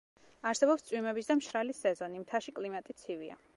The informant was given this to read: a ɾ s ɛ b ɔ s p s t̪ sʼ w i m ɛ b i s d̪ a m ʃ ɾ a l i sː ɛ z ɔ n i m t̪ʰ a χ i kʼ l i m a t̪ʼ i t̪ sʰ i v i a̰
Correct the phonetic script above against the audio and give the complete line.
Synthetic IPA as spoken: a ɾ s ɛ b ɔ p s t̪ sʼ w i m ɛ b i s d̪ a m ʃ ɾ a l i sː ɛ z ɔ n i m t̪ʰ a ʃ i kʼ l i m a t̪ʼ i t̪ sʰ i v i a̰